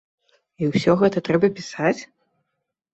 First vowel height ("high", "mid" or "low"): high